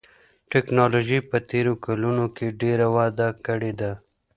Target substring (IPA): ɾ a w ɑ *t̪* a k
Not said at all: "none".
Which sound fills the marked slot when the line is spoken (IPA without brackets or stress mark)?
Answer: d̪